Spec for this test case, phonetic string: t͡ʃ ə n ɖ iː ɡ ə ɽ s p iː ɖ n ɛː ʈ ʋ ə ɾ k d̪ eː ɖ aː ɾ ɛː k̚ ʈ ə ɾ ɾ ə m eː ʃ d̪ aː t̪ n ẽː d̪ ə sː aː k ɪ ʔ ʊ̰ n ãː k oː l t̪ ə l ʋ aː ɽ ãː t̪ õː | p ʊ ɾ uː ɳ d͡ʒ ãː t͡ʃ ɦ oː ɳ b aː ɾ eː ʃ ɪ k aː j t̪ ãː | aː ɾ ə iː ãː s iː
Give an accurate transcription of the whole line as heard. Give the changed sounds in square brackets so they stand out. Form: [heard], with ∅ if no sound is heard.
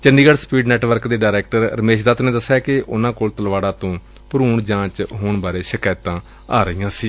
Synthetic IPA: t͡ʃ ə n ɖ iː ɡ ə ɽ s p iː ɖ n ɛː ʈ ʋ ə ɾ k d̪ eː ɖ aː ɾ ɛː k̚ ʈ ə ɾ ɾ ə m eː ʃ d̪ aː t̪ n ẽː d̪ ə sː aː k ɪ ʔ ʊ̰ n ãː k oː l t̪ ə l ʋ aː ɽ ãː t̪ õː | p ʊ ɾ uː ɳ d͡ʒ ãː t͡ʃ ɦ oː ɳ b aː ɾ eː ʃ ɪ k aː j t̪ ãː | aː ɾ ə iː ãː s iː